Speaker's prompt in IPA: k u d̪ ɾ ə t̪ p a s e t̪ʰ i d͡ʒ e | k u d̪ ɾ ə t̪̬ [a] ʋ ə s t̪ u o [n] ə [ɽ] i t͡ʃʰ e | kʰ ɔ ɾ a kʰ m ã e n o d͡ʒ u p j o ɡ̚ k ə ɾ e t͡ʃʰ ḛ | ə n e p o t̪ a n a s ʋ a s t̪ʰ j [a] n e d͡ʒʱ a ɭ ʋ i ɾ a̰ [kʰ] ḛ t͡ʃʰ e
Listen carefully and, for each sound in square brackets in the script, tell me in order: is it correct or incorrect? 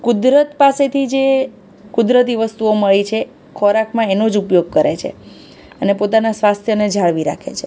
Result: incorrect: i, incorrect: m, incorrect: ɭ, incorrect: ə, correct

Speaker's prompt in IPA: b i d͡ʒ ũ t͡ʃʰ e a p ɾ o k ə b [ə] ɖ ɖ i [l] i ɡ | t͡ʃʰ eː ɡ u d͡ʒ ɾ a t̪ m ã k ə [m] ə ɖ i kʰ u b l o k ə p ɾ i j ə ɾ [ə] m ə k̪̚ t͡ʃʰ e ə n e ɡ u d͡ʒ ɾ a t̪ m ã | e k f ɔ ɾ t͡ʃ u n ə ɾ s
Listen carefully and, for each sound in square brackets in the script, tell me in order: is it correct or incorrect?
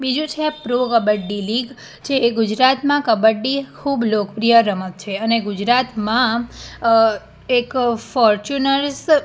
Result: correct, correct, incorrect: b, correct

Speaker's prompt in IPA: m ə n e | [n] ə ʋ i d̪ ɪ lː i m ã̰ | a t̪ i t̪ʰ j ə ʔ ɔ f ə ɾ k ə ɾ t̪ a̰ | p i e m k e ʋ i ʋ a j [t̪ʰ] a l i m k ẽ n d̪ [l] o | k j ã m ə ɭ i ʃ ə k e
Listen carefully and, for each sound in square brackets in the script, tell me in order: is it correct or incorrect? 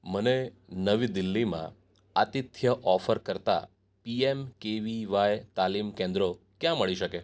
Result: correct, incorrect: t̪, incorrect: ɾ

